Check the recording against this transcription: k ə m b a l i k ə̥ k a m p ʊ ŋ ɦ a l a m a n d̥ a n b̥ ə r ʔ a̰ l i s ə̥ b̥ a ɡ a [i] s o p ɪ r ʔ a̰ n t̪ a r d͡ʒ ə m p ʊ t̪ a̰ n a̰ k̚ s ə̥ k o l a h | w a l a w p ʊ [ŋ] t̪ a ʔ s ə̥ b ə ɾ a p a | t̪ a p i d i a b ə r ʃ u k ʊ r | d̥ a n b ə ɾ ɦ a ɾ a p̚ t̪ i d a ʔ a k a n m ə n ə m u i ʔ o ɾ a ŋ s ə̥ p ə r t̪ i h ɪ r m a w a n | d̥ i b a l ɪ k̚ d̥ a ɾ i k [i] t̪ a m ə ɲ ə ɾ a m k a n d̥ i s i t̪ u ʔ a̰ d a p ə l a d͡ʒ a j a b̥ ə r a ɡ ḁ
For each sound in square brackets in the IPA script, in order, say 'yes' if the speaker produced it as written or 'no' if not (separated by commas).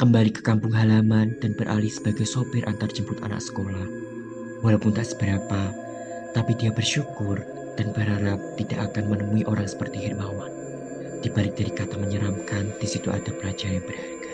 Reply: no, no, no